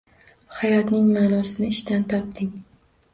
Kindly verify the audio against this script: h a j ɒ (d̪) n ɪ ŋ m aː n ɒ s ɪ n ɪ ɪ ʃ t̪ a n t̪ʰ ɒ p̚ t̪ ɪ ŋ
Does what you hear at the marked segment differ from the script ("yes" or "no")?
yes